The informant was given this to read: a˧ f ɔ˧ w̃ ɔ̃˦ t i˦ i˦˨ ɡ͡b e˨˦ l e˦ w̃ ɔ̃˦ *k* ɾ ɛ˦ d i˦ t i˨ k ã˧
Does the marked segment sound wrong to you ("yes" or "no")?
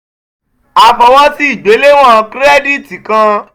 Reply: no